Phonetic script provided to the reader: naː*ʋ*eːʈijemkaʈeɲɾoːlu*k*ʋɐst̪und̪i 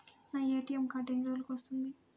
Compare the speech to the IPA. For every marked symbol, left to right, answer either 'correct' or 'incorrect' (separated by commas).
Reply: incorrect, correct